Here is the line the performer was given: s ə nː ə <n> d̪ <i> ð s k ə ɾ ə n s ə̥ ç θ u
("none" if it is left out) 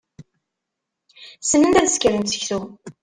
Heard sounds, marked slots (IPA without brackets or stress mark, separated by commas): n, æ